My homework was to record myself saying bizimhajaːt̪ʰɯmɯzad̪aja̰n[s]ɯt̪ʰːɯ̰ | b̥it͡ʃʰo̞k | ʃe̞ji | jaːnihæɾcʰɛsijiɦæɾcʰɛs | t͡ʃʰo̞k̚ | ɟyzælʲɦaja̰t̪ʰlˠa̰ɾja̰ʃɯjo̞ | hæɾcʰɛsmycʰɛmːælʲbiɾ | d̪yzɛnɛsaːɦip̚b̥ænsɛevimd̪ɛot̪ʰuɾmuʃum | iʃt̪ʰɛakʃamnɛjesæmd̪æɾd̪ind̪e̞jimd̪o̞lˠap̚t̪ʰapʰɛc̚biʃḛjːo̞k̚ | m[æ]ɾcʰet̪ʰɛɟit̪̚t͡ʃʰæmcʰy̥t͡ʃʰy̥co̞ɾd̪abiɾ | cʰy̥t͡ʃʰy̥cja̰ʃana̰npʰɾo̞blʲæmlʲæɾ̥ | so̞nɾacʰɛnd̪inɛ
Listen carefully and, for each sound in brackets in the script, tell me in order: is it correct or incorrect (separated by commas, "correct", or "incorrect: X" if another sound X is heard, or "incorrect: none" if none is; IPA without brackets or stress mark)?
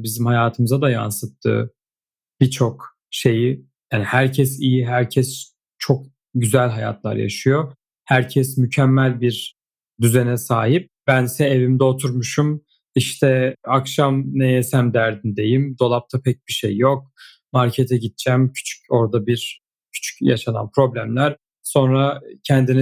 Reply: correct, incorrect: a